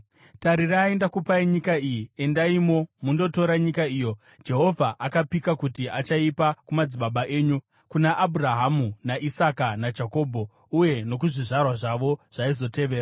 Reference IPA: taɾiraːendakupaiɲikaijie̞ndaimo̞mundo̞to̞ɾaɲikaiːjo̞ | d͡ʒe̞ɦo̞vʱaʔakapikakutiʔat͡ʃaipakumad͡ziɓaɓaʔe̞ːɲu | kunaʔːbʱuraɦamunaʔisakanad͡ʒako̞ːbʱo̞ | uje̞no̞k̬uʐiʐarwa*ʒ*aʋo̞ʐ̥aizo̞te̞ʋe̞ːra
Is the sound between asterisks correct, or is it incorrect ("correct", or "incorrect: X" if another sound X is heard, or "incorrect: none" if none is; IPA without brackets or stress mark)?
incorrect: ʐ